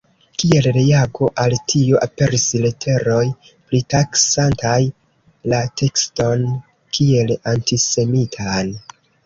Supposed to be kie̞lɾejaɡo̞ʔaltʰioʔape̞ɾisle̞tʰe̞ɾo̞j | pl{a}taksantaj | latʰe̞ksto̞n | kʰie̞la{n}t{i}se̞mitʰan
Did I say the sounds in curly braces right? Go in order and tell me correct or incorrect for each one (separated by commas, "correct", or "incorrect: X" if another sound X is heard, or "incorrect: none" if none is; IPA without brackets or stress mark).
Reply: incorrect: i, correct, correct